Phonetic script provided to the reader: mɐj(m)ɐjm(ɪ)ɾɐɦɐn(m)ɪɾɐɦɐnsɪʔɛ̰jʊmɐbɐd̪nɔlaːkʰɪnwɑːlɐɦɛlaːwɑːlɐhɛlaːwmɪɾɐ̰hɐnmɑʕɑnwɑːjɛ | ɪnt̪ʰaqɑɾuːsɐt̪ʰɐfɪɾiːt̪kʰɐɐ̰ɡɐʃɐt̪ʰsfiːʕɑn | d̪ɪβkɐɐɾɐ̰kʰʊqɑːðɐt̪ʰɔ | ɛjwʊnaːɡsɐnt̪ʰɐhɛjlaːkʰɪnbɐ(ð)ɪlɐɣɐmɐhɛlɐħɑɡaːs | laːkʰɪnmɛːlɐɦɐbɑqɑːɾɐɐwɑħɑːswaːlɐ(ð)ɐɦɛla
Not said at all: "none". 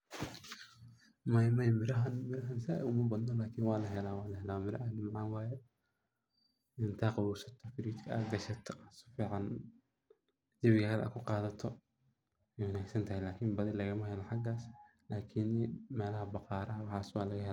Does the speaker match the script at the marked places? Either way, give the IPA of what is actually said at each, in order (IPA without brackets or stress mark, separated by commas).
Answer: m, ɪ, m, ð, ɣ